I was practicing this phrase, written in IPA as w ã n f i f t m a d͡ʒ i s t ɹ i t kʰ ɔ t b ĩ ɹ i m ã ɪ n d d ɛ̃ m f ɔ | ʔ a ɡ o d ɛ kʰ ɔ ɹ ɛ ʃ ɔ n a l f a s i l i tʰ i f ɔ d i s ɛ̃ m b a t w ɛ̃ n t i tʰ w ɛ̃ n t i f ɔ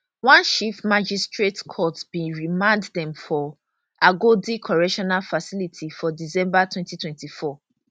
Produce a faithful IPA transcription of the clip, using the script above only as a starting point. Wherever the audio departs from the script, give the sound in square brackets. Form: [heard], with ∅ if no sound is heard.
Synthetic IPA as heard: w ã n [ʃ] i f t m a d͡ʒ i s t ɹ [e] t kʰ ɔ t b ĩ ɹ i m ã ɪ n d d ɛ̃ m f ɔ | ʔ a ɡ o d [i] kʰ ɔ ɹ ɛ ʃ ɔ n a l f a s i l i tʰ i f ɔ d i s ɛ̃ m b a t w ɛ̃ n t i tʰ w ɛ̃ n t i f ɔ